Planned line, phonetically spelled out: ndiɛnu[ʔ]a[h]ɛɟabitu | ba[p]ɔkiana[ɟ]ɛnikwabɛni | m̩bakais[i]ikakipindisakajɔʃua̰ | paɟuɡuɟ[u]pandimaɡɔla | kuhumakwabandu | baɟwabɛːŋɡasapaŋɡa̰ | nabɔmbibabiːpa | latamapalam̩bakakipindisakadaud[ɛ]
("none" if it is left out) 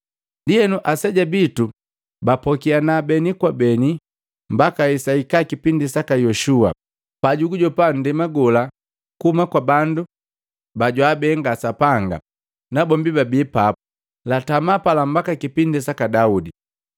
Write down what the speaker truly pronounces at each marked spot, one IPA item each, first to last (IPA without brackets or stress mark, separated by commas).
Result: ʔ, s, p, b, a, ɔ, i